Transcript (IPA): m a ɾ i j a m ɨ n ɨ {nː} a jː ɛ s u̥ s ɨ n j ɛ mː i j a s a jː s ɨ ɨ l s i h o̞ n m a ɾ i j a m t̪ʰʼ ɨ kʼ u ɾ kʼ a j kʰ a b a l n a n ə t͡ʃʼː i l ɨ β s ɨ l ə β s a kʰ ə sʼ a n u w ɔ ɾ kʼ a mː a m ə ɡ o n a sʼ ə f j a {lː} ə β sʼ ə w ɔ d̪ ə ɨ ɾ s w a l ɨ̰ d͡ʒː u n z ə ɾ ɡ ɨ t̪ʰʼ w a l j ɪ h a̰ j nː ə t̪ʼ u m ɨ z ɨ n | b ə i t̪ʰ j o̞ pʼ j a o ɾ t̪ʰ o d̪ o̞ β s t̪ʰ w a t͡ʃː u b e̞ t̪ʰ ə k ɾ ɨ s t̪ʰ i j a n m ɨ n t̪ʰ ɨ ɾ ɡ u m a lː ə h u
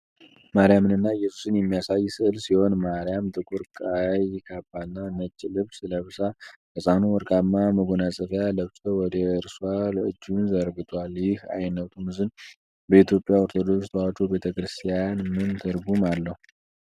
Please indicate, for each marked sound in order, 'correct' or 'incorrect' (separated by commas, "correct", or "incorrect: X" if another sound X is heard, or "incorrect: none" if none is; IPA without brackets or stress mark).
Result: correct, incorrect: l